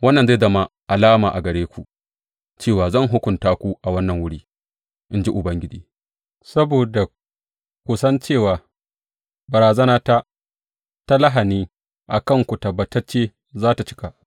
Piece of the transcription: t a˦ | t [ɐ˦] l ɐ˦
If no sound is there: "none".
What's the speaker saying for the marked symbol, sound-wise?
a˦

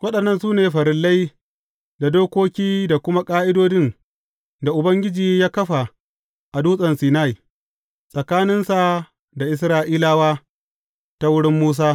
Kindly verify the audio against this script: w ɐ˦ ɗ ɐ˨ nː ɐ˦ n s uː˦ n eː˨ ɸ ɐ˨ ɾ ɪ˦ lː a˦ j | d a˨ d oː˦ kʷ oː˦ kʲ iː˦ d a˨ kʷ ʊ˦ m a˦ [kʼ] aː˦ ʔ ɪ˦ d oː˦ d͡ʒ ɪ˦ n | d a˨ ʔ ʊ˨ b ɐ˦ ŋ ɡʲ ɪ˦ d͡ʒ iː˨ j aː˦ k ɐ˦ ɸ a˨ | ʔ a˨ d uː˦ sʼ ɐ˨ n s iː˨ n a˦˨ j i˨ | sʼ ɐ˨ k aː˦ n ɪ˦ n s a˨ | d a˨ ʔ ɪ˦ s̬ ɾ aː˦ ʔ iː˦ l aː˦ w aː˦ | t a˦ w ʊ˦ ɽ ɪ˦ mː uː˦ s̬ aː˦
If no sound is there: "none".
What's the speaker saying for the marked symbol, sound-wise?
kʼ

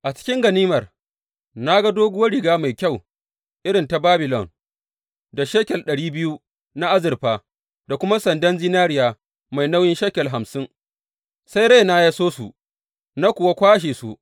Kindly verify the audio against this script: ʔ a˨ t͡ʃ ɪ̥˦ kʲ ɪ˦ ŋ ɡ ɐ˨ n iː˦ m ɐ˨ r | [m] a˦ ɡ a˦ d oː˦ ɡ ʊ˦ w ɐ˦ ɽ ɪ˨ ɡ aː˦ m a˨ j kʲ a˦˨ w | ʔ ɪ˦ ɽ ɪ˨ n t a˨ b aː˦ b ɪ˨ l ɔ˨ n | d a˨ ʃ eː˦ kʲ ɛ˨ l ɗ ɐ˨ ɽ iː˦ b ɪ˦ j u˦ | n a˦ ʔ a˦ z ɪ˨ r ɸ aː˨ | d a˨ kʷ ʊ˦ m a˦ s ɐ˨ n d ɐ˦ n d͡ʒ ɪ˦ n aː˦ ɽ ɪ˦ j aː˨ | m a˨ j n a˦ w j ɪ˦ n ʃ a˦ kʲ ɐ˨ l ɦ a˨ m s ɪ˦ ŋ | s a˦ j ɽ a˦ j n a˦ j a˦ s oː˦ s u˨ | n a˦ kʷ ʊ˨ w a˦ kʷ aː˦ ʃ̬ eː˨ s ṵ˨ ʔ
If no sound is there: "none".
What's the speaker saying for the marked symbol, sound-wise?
n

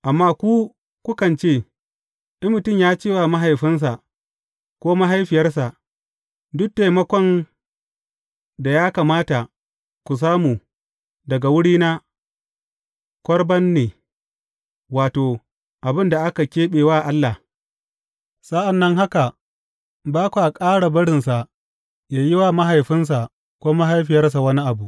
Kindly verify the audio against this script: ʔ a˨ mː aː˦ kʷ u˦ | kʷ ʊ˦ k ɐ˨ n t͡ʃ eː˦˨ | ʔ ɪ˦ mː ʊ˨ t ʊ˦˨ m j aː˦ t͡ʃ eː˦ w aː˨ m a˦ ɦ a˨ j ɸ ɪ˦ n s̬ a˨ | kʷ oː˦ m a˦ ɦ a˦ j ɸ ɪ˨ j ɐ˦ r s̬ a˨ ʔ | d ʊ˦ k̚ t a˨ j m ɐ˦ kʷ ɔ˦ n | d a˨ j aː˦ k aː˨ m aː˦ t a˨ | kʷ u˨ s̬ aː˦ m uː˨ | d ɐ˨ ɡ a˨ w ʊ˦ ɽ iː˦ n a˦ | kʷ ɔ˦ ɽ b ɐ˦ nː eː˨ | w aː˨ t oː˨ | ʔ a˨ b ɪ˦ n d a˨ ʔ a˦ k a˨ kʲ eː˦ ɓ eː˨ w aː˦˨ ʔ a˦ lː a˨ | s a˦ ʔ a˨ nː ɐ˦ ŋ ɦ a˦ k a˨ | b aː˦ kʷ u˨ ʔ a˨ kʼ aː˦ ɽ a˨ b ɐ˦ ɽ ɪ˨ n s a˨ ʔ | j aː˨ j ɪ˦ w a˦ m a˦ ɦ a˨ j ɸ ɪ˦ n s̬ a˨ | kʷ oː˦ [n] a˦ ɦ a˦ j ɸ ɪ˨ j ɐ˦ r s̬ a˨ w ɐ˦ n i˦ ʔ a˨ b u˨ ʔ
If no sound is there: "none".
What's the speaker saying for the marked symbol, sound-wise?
m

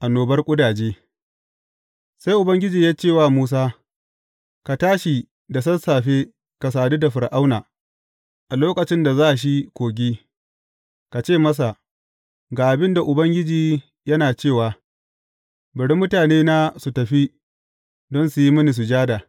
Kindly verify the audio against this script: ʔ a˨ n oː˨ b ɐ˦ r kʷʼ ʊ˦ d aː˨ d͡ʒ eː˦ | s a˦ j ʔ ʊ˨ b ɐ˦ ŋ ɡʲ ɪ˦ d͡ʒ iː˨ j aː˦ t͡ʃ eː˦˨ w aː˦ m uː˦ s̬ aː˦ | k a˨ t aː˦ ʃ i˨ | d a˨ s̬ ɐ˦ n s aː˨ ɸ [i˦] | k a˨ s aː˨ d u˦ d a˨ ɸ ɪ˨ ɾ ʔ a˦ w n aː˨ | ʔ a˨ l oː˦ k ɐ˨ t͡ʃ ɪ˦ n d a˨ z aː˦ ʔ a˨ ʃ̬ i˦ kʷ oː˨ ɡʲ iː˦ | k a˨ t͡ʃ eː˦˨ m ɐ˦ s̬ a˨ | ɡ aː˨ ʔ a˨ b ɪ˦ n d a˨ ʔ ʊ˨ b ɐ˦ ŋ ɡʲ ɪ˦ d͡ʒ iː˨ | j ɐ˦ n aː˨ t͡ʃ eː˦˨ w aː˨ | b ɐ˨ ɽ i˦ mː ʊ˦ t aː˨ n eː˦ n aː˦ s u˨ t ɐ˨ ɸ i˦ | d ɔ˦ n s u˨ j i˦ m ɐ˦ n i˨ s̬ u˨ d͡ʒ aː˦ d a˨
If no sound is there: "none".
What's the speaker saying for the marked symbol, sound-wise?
e˦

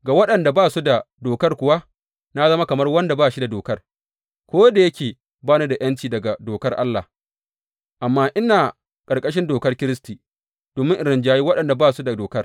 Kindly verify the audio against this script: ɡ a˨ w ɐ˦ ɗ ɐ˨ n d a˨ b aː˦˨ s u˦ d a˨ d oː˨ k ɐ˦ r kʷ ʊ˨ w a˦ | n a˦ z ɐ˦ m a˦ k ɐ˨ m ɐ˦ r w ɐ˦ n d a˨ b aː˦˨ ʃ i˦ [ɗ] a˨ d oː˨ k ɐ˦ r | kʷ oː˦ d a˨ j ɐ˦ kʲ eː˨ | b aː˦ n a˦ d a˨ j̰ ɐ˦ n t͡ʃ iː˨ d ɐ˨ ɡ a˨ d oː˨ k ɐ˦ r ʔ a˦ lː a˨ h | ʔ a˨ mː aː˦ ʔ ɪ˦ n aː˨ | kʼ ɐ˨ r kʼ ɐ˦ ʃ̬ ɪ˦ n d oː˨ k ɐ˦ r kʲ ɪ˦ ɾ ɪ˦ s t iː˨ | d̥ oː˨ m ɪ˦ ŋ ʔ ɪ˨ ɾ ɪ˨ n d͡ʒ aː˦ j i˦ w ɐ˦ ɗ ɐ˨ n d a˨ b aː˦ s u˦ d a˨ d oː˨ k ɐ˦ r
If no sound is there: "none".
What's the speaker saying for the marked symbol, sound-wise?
d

